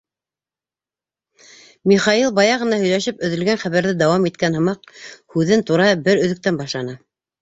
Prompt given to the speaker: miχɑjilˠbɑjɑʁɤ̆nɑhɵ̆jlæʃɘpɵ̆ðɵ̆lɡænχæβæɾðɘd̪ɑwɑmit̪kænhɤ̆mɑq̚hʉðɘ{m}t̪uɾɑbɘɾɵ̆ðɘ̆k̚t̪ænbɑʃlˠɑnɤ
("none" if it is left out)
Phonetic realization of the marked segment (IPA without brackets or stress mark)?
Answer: n